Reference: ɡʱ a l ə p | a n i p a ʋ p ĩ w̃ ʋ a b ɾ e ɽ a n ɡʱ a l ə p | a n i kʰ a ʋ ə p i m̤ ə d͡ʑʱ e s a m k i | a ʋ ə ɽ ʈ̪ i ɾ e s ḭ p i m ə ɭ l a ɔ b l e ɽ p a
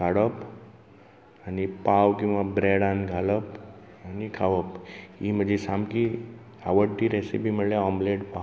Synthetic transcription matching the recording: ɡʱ a ɽ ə p | a n i p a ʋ k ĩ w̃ ʋ a b ɾ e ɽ a n ɡʱ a l ə p | a n i kʰ a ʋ ə p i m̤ ə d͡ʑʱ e s a m k i | a ʋ ə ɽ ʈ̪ i ɾ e s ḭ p i m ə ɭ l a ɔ m l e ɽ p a